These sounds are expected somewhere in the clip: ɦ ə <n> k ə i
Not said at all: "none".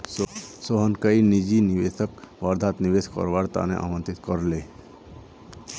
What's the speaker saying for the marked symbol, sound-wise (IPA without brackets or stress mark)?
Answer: n